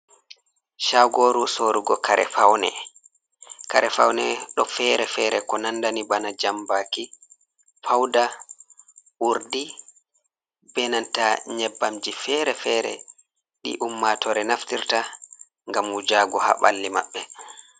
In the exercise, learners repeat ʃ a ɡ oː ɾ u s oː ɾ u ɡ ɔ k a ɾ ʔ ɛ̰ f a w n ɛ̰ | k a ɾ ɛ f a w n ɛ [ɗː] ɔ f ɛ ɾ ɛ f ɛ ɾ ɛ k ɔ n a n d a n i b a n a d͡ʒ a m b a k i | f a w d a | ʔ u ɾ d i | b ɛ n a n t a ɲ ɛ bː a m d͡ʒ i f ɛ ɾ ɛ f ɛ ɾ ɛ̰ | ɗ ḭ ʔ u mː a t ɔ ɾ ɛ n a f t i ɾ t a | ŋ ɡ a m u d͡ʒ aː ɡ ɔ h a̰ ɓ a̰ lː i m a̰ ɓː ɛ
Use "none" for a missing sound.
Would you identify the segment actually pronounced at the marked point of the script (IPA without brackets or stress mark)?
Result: ɗ